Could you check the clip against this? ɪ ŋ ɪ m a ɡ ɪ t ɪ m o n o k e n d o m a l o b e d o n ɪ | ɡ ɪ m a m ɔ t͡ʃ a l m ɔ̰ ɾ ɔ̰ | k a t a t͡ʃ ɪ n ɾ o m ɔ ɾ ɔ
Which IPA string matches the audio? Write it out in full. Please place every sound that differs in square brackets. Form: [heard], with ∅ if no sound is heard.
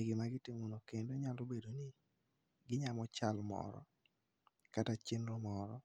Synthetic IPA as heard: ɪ [ɡ] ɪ m a ɡ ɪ t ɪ m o n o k e n d o [ɲ] a l o b e d o n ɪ | ɡ ɪ [ɲ] a m ɔ t͡ʃ a l m ɔ̰ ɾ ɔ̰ | k a t a t͡ʃ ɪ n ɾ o m ɔ ɾ ɔ